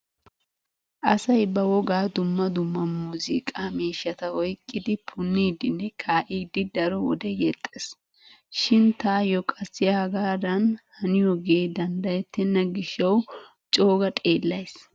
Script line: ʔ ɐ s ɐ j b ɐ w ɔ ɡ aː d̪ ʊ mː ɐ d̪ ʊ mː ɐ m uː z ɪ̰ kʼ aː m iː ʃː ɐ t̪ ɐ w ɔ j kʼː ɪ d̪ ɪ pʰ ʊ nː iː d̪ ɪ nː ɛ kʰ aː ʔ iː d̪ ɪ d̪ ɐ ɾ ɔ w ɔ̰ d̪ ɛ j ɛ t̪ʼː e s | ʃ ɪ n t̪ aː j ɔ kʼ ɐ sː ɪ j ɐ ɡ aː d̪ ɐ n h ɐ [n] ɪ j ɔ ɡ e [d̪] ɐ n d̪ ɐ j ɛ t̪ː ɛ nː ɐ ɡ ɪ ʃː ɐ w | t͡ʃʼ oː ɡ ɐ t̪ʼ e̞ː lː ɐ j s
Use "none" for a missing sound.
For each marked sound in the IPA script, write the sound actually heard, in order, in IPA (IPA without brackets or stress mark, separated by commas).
n, d̪